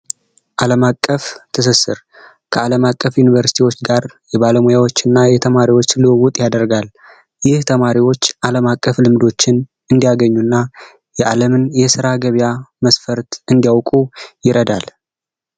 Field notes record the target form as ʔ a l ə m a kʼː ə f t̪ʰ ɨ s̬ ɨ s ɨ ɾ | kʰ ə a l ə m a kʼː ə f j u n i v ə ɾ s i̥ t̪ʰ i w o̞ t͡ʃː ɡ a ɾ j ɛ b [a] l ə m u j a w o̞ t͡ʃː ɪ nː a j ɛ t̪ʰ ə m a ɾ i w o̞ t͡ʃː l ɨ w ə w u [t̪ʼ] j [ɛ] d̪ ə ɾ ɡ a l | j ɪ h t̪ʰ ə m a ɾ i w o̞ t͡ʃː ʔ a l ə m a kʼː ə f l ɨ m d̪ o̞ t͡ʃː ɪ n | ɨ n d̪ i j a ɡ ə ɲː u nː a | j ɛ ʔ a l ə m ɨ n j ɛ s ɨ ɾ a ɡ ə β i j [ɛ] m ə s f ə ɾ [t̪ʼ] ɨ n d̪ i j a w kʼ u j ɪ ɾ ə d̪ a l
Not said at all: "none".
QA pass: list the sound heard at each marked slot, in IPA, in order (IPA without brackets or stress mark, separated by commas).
a, t̪ʼ, a, a, t̪